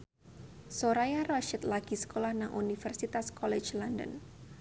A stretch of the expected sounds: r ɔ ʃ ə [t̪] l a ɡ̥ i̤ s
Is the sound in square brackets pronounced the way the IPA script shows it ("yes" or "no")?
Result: yes